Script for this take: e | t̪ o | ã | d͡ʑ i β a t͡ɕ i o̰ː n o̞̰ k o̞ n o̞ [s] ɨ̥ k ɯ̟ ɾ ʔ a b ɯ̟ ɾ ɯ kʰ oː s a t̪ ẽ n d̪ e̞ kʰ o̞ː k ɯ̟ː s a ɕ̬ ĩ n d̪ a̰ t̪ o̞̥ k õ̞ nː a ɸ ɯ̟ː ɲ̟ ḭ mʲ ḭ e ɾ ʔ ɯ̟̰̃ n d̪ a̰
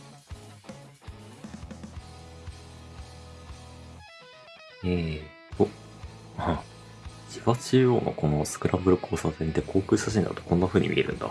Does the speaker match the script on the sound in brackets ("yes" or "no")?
yes